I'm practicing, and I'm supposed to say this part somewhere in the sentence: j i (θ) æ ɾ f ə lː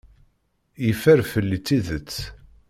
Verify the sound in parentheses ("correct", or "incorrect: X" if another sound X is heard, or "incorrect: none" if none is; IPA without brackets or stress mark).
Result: incorrect: f